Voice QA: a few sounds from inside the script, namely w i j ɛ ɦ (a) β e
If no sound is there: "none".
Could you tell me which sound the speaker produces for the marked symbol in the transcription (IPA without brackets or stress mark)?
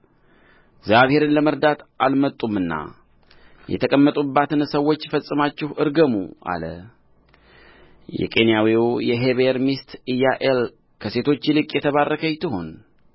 e